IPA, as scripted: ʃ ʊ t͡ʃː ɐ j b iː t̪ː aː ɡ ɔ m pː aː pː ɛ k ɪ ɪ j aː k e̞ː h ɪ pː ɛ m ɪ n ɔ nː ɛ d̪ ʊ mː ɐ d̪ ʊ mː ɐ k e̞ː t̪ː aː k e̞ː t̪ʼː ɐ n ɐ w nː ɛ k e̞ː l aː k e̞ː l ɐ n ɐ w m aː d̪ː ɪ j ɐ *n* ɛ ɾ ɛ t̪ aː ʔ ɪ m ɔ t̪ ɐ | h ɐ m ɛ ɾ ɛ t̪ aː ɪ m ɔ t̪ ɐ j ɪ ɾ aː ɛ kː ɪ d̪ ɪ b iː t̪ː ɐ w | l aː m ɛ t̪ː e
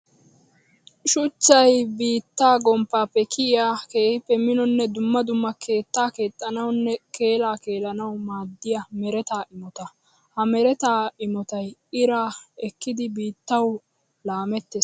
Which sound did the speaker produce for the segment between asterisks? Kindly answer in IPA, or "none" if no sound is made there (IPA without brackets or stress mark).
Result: m